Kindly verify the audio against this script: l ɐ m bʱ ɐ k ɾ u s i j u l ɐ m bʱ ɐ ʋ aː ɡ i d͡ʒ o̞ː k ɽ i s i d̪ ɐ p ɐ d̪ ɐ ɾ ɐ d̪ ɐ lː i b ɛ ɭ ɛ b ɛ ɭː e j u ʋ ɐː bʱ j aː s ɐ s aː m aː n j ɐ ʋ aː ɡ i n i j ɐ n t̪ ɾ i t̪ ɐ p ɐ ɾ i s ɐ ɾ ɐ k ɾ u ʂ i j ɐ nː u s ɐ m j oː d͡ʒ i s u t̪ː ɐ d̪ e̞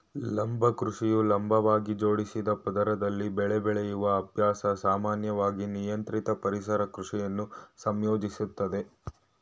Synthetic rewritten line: l ɐ m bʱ ɐ k ɾ u ʂ i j u l ɐ m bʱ ɐ ʋ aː ɡ i d͡ʒ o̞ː ɽ i s i d̪ ɐ p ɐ d̪ ɐ ɾ ɐ d̪ ɐ lː i b ɛ ɭ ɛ b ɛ ɭ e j u ʋ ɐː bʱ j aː s ɐ s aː m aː n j ɐ ʋ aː ɡ i n i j ɐ n t̪ ɾ i t̪ ɐ p ɐ ɾ i s ɐ ɾ ɐ k ɾ u ʂ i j ɐ nː u s ɐ m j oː d͡ʒ i s u t̪ː ɐ d̪ e̞